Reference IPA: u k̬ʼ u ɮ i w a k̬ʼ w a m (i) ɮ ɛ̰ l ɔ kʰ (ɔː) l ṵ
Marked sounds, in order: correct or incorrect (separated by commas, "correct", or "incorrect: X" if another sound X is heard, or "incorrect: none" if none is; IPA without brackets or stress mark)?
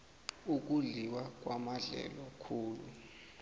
incorrect: a, incorrect: uː